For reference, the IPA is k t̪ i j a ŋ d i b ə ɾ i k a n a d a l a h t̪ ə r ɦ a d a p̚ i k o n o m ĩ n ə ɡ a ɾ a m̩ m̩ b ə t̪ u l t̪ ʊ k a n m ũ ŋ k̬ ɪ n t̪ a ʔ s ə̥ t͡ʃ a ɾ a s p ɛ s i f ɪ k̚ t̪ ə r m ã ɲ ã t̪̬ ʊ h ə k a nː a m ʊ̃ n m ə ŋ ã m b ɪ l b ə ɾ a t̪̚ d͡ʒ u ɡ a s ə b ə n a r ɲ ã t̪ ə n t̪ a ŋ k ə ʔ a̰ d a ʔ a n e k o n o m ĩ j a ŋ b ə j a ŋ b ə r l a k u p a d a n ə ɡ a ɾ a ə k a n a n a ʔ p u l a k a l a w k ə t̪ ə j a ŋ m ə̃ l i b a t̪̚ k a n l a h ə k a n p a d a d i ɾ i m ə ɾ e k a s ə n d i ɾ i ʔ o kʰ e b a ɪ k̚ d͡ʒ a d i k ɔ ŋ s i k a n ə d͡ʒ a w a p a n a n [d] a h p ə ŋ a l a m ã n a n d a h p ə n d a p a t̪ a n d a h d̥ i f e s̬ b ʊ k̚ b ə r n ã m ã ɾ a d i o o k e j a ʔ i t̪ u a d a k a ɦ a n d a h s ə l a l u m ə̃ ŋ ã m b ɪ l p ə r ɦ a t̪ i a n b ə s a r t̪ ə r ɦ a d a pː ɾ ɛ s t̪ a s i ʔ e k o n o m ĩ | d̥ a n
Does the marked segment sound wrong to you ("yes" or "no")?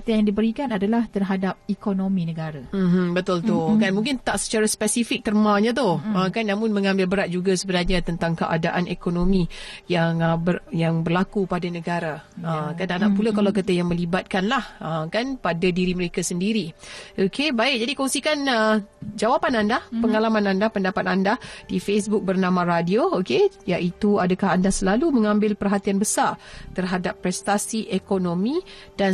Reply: no